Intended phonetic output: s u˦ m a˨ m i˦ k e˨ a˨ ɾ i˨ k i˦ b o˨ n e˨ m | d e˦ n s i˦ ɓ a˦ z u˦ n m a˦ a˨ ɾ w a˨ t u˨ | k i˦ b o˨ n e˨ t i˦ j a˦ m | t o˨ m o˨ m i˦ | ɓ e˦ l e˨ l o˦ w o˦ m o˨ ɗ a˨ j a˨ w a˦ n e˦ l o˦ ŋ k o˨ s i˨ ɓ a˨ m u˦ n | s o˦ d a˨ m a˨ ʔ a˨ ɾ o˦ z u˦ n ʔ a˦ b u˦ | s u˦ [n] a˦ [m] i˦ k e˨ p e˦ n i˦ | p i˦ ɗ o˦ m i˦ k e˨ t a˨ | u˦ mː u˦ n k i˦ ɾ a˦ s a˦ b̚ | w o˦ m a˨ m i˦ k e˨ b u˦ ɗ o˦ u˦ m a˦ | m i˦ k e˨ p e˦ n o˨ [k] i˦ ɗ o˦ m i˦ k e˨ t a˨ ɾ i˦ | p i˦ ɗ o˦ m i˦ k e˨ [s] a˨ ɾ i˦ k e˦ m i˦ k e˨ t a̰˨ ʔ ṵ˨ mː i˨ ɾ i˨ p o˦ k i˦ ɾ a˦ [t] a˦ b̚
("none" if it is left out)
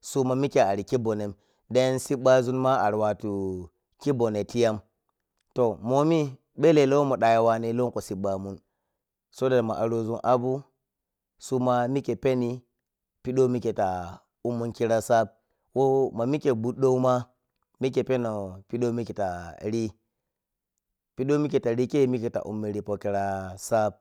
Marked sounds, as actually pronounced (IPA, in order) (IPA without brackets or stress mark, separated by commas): m, m, p, t, s